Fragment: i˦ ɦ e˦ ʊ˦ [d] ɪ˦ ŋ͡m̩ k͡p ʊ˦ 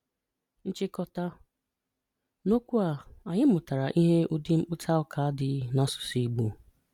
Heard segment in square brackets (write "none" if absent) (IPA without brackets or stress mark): d